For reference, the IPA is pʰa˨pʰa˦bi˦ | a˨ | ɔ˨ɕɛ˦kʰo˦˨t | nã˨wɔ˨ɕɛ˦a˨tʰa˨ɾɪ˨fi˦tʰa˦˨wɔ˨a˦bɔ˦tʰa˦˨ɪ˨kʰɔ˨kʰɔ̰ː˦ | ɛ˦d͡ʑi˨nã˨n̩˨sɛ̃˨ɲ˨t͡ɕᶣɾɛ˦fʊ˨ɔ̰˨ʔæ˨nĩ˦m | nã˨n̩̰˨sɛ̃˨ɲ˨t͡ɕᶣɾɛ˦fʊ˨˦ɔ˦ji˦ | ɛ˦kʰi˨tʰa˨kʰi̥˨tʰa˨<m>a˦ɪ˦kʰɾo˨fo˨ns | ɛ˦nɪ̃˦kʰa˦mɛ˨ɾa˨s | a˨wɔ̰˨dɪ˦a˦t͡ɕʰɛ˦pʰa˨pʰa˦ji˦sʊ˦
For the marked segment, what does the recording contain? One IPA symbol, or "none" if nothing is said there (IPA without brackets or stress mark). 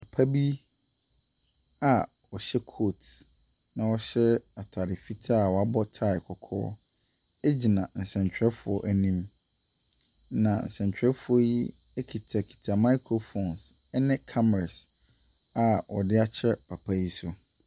m